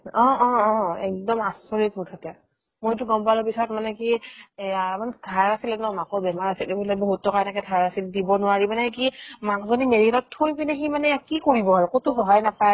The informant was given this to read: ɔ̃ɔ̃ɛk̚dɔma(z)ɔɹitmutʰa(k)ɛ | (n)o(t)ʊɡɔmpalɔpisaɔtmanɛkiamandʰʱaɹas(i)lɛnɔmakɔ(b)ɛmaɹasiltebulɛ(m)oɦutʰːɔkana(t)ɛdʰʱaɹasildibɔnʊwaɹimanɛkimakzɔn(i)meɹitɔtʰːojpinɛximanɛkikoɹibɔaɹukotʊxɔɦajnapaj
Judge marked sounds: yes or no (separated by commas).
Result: no, no, no, yes, yes, yes, no, no, yes